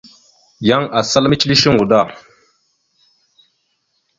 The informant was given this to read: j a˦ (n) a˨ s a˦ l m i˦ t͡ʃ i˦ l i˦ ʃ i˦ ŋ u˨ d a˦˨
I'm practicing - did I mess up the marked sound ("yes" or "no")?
yes